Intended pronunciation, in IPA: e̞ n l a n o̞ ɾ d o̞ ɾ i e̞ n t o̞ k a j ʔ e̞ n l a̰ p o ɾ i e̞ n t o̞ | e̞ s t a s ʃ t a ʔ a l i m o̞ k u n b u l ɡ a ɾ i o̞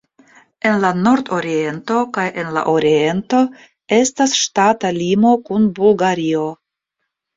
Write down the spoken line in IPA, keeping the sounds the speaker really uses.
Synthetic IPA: e̞ n l a n o̞ ɾ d o̞ ɾ i e̞ n t o̞ k a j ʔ e̞ n l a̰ ʔ o ɾ i e̞ n t o̞ | e̞ s t a s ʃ t a t a l i m o̞ k u n b u l ɡ a ɾ i o̞

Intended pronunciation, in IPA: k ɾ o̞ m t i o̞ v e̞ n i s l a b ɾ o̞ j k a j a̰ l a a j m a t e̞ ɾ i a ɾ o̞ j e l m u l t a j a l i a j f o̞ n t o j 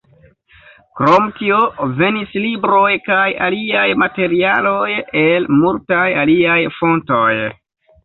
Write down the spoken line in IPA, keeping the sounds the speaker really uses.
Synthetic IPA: k ɾ o̞ m t i o̞ v e̞ n i s l i b ɾ o̞ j k a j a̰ l i a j m a t e̞ ɾ i a l o̞ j e l m u l t a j a l i a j f o̞ n t o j

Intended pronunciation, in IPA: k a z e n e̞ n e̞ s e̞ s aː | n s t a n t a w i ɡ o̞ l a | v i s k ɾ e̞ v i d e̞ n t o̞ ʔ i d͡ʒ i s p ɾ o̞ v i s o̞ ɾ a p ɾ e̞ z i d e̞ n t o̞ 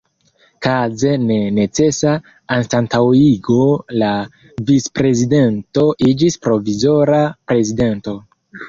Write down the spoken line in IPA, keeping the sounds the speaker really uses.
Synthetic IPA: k a z e n e̞ n e̞ t͡s e̞ s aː | n s t a n t a w i ɡ o̞ l a | v i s p ɾ e̞ z i d e̞ n t o̞ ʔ i d͡ʒ i s p ɾ o̞ v i z o̞ ɾ a p ɾ e̞ z i d e̞ n t o̞

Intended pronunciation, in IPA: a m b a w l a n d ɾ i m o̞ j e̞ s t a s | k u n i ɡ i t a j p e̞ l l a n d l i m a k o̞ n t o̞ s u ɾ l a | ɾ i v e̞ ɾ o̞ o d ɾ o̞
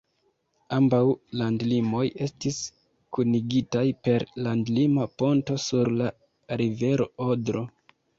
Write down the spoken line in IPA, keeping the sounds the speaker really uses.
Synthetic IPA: a m b a w l a n d l i m o̞ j e̞ s t i s | k u n i ɡ i t a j p e̞ ɾ l a n d l i m a p o̞ n t o̞ s u ɾ l a | ɾ i v e̞ ɾ o̞ o d ɾ o̞

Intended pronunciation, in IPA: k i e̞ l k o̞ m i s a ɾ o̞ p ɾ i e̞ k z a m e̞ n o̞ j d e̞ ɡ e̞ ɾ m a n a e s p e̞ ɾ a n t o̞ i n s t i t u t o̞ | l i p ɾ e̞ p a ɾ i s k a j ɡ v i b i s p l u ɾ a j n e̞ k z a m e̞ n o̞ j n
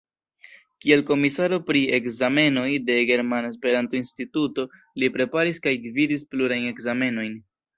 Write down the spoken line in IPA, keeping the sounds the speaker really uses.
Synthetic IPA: k i e̞ l k o̞ m i s a ɾ o̞ p ɾ i e̞ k z a m e̞ n o̞ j d e̞ ɡ e̞ ɾ m a n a e s p e̞ ɾ a n t o̞ i n s t i t u t o̞ | l i p ɾ e̞ p a ɾ i s k a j ɡ v i d i s p l u ɾ a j n e̞ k z a m e̞ n o̞ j n

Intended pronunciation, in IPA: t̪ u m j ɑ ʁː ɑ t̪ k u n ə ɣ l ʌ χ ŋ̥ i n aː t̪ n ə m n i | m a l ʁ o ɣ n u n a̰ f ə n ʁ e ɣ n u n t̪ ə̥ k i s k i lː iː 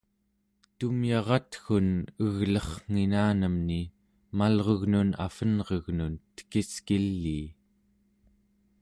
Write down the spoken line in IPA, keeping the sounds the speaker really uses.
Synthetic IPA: t̪ u m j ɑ ʁ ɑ t̪ x u n ə ɣ l ʌ χ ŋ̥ i n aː n ə m n i | m a l ʁ o ɣ n u n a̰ f ə n ʁ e ɣ n u n t̪ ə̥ k i s k i lː iː

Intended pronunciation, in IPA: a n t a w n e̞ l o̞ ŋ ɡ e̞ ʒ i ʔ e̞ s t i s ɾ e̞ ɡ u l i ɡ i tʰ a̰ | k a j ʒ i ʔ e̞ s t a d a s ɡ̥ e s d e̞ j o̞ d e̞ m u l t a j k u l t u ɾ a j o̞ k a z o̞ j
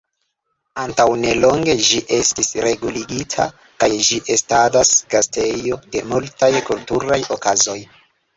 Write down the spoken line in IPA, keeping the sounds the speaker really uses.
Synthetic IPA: a n t a w n e̞ l o̞ ŋ ɡ e̞ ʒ i ʔ e̞ s t i s ɾ e̞ ɡ u l i ɡ i tʰ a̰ | k a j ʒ i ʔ e̞ s t a d a s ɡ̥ a s t e̞ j o̞ d e̞ m u l t a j k u l t u ɾ a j o̞ k a z o̞ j

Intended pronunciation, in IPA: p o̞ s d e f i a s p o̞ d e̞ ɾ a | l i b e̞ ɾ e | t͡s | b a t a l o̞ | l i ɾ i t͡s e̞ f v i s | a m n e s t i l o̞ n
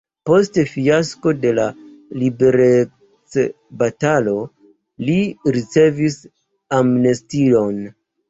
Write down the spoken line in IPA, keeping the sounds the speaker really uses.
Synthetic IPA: p o̞ s t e f i a s k o̞ d e̞ l a | l i b e̞ ɾ e | t͡s | b a t a l o̞ | l i ɾ i t͡s e̞ v i s | a m n e s t i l o̞ n

